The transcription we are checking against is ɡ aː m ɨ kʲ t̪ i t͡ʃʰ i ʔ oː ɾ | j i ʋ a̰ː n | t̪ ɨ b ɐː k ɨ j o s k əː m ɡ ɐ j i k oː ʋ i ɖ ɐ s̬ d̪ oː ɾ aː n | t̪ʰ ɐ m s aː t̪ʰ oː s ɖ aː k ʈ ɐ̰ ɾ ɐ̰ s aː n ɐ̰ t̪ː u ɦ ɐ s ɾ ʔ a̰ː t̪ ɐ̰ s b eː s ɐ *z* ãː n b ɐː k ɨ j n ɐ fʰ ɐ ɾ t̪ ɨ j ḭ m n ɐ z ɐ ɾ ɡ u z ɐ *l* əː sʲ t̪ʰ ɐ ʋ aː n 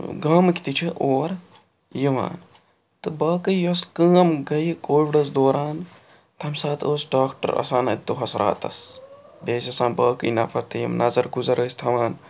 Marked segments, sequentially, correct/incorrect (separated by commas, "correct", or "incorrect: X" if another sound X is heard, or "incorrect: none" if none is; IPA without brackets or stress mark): incorrect: s, incorrect: ɾ